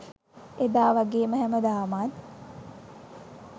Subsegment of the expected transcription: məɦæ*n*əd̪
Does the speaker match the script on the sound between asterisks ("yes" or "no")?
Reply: no